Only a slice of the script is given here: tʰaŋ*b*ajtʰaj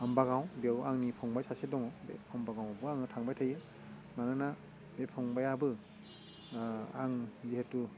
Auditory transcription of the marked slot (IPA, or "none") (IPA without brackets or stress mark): b